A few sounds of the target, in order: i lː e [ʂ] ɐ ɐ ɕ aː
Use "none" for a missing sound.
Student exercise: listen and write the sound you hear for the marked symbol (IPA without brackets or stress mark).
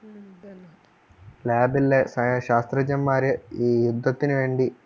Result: s